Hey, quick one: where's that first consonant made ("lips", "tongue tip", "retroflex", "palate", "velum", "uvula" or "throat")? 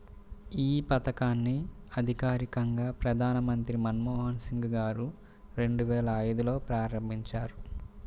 lips